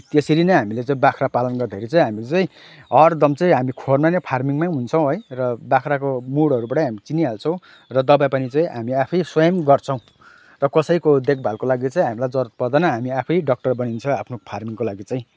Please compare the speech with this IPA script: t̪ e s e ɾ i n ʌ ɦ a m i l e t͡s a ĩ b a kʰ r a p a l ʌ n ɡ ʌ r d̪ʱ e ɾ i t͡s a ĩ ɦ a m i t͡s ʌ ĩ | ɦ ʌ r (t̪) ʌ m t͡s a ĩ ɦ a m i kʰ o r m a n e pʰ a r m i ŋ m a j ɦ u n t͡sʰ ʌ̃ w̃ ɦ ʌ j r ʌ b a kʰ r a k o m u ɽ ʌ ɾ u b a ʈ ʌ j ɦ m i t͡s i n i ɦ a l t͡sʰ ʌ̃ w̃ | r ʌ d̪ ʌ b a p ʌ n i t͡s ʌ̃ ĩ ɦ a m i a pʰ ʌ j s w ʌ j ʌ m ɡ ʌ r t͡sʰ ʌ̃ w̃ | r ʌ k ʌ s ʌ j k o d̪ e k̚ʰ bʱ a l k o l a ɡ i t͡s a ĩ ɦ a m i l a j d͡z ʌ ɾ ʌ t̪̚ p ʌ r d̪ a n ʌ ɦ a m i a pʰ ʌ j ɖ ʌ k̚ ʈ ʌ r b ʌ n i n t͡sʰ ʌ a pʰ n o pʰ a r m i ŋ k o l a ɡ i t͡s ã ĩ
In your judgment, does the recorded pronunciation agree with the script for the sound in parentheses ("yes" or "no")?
no